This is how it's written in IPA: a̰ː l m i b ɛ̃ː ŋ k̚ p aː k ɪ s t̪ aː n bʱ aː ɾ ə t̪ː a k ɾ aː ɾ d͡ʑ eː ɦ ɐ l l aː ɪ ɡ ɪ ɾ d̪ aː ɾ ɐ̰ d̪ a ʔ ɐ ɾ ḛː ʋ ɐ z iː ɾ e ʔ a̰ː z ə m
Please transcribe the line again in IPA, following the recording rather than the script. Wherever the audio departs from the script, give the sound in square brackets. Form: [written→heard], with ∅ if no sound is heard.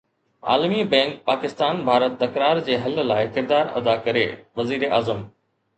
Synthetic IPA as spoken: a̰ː l m i b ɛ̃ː ŋ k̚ p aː k ɪ s t̪ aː n bʱ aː ɾ ə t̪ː [a→ɐ] k ɾ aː ɾ d͡ʑ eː ɦ ɐ l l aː ɪ [ɡ→k] ɪ ɾ d̪ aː ɾ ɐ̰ d̪ a [ʔ→k] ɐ ɾ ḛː ʋ ɐ z iː ɾ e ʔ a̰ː z ə m